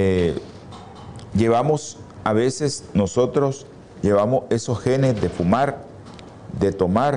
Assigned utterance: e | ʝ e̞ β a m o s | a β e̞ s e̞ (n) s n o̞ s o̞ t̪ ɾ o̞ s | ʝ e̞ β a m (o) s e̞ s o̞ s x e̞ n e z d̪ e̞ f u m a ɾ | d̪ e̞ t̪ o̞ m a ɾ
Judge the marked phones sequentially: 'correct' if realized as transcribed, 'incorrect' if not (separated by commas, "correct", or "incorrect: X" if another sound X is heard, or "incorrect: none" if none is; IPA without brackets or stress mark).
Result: incorrect: none, correct